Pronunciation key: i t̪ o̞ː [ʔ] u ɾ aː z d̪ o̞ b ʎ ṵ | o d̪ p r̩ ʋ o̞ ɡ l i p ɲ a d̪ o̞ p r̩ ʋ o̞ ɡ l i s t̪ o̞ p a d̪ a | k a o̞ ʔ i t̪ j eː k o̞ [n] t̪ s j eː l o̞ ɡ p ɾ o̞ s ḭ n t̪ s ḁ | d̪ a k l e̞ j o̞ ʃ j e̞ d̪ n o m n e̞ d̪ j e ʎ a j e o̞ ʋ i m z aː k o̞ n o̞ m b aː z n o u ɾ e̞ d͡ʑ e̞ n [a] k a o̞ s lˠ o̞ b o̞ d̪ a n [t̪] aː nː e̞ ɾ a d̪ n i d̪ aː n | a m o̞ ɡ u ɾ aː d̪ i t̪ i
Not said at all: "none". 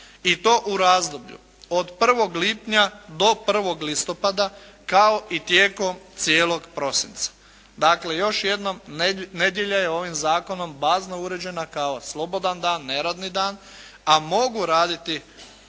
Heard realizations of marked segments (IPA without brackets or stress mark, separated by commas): ʔ, m, a, d̪